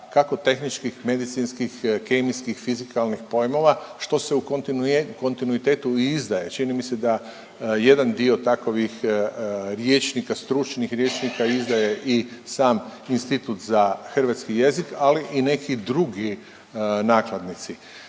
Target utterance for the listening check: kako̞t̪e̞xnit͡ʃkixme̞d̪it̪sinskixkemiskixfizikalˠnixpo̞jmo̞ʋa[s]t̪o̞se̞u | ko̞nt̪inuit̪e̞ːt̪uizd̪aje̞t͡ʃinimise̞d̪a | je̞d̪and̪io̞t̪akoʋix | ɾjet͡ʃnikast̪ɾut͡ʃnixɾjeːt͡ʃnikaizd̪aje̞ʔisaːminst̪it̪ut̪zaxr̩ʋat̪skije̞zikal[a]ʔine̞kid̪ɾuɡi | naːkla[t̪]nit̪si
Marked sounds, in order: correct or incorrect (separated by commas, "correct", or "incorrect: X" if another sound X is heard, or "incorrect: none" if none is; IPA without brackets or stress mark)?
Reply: incorrect: ʃ, incorrect: i, incorrect: d̪